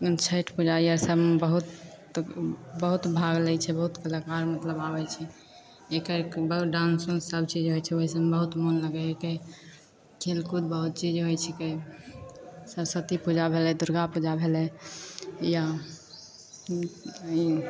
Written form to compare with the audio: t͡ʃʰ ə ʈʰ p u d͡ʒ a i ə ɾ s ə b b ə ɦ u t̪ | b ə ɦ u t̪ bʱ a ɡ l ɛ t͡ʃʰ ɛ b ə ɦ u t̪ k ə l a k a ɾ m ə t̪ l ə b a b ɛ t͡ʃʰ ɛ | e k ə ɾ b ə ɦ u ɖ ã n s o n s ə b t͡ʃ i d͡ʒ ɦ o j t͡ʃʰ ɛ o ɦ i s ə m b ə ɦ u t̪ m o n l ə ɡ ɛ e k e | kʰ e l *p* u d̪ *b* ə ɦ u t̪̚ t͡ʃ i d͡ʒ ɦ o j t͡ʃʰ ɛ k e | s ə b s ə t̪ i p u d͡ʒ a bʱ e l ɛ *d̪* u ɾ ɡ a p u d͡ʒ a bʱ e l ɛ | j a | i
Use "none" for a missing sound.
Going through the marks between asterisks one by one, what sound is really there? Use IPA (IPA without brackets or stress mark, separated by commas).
k, b, d̪